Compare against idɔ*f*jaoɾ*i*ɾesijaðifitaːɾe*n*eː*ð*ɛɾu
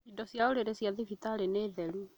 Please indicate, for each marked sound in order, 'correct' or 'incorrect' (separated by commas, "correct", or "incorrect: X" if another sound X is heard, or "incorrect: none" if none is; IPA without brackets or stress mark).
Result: incorrect: s, incorrect: e, correct, correct